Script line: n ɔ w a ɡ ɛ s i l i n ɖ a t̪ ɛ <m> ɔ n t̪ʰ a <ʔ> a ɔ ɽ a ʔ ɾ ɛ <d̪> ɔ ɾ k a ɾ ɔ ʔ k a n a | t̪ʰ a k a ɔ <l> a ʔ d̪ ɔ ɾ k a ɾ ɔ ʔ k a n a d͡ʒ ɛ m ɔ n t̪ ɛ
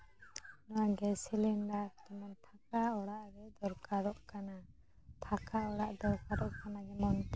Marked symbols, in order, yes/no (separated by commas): yes, no, yes, no